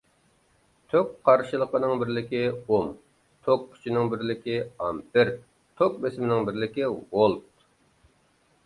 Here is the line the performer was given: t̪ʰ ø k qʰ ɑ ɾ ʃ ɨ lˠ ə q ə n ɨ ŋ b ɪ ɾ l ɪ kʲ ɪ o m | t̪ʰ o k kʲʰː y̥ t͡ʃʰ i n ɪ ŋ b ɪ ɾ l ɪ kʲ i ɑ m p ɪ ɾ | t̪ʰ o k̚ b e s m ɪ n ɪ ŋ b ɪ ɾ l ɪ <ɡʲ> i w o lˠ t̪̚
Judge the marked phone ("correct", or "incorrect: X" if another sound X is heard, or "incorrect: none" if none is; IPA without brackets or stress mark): incorrect: kʲ